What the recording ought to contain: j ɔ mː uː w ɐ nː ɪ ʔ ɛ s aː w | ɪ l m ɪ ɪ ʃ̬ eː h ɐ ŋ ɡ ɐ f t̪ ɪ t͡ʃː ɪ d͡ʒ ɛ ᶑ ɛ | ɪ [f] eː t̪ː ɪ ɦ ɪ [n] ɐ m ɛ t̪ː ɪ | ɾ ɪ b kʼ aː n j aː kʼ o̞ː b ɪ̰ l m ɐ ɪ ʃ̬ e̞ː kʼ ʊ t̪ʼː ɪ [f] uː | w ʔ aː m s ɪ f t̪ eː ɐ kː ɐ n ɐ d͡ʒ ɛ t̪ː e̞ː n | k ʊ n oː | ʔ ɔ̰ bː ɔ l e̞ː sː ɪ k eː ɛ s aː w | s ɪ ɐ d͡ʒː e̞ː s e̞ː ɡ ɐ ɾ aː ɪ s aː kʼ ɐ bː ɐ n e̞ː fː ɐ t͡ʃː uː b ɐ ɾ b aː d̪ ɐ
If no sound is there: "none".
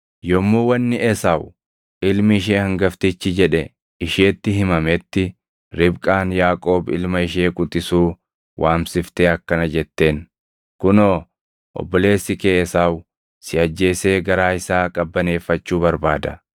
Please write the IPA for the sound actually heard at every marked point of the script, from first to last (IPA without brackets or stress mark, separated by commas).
ʃ, m, s